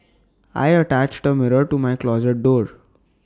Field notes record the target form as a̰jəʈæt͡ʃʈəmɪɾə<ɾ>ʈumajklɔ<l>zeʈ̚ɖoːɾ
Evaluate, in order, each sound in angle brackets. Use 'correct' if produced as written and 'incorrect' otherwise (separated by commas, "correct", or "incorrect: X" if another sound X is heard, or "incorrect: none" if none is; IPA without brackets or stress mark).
correct, incorrect: none